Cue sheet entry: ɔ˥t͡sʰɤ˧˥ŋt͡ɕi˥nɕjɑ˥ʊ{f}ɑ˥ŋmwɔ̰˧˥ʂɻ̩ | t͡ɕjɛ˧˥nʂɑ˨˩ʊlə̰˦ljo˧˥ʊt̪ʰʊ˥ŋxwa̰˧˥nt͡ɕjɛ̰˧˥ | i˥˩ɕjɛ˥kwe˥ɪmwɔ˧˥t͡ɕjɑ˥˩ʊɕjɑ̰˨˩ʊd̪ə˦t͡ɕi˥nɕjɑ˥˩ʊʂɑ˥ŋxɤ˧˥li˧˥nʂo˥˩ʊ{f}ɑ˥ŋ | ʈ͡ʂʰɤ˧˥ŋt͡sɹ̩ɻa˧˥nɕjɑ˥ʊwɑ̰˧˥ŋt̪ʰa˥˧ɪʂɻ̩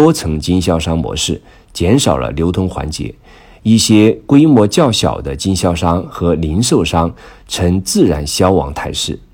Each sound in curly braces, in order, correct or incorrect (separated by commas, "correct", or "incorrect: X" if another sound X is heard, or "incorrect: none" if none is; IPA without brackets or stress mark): incorrect: ʂ, incorrect: ʂ